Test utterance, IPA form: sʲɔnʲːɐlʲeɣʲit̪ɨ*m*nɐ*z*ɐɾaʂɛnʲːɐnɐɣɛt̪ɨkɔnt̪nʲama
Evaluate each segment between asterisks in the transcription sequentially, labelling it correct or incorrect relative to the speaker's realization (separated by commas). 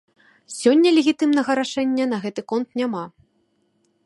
correct, incorrect